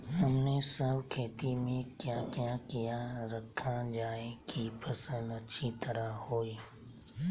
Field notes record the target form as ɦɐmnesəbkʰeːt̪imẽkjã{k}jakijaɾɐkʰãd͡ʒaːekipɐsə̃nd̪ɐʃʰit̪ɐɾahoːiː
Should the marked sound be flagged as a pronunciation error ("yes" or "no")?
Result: no